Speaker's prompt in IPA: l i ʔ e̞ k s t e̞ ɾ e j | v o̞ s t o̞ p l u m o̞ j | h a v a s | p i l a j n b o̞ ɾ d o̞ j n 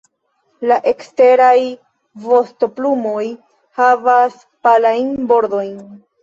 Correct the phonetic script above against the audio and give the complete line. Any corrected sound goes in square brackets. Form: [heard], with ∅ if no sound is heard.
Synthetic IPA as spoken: l [a] ʔ e̞ k s t e̞ ɾ [a] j | v o̞ s t o̞ p l u m o̞ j | h a v a s | p [a] l a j n b o̞ ɾ d o̞ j n